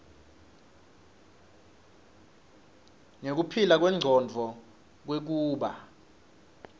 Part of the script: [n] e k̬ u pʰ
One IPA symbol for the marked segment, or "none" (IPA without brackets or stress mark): ŋ